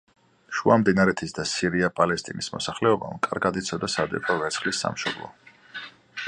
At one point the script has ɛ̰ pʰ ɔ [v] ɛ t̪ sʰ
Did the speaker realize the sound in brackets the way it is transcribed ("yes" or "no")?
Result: yes